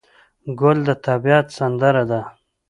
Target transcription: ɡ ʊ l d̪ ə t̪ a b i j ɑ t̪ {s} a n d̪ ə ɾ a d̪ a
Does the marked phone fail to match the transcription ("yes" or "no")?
no